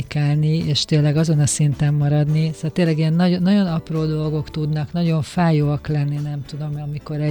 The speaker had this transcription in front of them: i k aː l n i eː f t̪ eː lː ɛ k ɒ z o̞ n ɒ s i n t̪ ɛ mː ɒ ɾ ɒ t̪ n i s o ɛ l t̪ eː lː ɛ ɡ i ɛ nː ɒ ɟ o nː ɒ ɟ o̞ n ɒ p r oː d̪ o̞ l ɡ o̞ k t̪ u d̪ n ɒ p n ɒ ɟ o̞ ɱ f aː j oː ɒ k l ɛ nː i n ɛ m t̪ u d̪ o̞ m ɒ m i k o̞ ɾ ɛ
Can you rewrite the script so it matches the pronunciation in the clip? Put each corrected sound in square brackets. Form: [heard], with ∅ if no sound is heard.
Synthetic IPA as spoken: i k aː l n i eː [ʃ] t̪ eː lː ɛ [ɡ] ɒ z o̞ n ɒ s i n t̪ ɛ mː ɒ ɾ ɒ [d̪] n i s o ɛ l t̪ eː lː ɛ ɡ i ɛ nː ɒ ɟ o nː ɒ ɟ o̞ n ɒ p r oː d̪ o̞ l ɡ o̞ k t̪ u d̪ n ɒ [k] n ɒ ɟ o̞ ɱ f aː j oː ɒ k l ɛ nː i n ɛ m t̪ u d̪ o̞ m ɒ m i k o̞ ɾ ɛ